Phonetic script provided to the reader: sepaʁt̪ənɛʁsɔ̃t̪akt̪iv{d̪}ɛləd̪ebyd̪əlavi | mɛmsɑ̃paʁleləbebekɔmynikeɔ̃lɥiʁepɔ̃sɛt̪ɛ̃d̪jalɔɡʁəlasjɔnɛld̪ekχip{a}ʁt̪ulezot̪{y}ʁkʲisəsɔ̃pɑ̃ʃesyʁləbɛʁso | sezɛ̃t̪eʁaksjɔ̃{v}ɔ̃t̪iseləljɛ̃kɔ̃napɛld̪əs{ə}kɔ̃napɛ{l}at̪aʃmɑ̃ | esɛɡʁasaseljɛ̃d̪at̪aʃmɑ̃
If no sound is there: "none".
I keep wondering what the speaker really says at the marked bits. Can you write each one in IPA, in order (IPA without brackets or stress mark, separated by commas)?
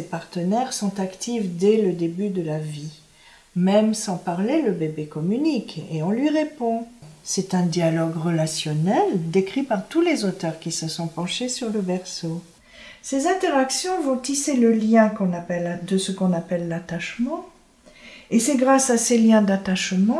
d̪, a, œ, v, ə, lː